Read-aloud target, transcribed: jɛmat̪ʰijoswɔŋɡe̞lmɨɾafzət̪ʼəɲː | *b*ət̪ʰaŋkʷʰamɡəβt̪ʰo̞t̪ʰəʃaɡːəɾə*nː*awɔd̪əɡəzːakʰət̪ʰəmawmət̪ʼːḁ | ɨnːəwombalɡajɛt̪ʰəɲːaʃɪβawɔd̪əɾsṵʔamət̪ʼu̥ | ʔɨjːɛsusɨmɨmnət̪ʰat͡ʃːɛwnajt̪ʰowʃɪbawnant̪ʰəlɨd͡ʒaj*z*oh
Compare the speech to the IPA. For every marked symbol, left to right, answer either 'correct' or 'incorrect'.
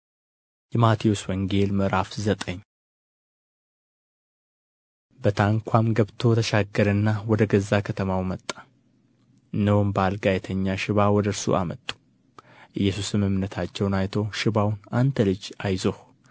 correct, correct, correct

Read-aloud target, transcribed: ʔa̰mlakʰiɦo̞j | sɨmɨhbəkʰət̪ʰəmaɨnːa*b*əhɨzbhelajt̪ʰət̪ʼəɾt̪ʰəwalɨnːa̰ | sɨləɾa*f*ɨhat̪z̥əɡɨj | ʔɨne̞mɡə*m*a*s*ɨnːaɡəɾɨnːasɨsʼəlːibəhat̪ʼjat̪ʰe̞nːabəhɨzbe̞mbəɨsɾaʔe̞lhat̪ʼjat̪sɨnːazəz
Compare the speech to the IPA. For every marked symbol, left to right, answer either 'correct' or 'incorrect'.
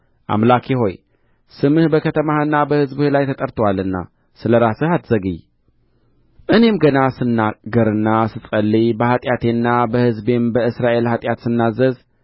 correct, incorrect: s, incorrect: n, correct

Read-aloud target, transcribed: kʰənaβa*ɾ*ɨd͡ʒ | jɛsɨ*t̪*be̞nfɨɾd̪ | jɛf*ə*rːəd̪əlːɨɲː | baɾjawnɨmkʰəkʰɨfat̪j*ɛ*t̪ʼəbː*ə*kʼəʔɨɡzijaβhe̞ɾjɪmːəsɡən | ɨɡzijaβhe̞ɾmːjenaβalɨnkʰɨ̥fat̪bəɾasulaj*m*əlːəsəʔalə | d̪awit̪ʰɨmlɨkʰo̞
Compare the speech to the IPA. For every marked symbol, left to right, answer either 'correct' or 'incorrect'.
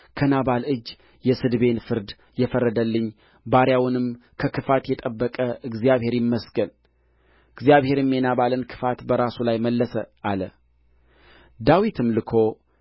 incorrect: l, incorrect: d̪, correct, correct, correct, correct

